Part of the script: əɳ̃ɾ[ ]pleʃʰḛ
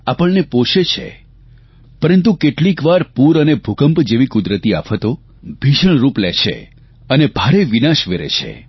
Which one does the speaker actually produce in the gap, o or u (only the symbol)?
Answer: u